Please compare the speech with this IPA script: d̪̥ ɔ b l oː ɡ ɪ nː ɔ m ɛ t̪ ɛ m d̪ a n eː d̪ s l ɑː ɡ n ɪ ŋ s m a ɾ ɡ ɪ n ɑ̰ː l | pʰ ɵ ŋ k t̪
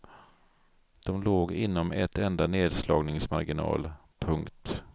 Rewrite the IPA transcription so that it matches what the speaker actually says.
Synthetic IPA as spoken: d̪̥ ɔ m l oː ɡ ɪ nː ɔ m ɛ t̪ ɛ n d̪ a n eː d̪ s l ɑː ɡ n ɪ ŋ s m a ɾ ɡ ɪ n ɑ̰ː l | pʰ ɵ ŋ k t̪